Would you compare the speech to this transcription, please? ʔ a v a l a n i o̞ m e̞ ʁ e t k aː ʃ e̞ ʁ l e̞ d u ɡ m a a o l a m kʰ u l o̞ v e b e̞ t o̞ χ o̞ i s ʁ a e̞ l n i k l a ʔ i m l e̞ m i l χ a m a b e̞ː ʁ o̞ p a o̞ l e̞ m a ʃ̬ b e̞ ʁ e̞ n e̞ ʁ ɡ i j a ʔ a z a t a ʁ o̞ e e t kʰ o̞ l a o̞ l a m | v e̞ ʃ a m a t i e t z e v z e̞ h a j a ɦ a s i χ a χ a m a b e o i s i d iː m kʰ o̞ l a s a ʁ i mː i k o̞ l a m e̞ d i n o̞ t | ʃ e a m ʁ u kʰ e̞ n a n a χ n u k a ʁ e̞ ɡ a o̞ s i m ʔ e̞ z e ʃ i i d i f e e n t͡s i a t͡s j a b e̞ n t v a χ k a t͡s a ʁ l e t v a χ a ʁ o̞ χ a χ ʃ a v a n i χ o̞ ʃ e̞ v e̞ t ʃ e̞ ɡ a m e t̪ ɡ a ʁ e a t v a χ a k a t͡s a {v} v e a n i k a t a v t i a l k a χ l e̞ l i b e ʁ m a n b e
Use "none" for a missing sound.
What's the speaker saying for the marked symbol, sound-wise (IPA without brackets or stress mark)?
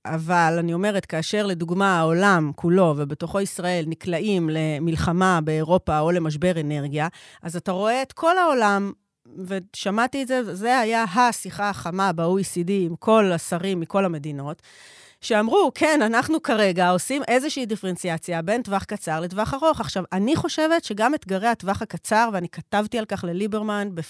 ʁ